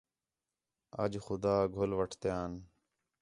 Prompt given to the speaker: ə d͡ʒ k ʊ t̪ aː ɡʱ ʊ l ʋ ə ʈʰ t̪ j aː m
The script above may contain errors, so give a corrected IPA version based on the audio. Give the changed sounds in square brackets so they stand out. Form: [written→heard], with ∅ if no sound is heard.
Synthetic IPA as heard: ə d͡ʒ [k→x] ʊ [t̪→d̪] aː ɡʱ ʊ l ʋ ə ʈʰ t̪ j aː [m→n]